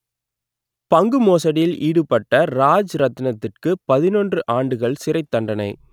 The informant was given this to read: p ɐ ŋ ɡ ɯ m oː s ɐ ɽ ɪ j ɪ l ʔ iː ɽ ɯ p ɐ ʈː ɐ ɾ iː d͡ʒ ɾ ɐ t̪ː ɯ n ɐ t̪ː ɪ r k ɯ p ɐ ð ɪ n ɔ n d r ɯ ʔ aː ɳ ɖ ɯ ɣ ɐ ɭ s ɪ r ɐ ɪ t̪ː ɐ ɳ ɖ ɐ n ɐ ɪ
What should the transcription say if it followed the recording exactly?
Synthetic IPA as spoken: p ɐ ŋ ɡ ɯ m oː s ɐ ɽ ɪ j ɪ l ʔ iː ɽ ɯ p ɐ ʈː ɐ ɾ aː d͡ʒ ɾ ɐ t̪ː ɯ n ɐ t̪ː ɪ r k ɯ p ɐ ð ɪ n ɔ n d r ɯ ʔ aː ɳ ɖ ɯ ɣ ɐ ɭ s ɪ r ɐ ɪ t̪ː ɐ ɳ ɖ ɐ n ɐ ɪ